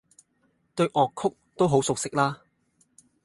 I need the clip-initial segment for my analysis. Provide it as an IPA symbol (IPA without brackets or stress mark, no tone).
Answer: t̪